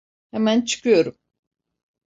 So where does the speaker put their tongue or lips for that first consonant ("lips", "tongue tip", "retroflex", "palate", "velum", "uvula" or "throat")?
throat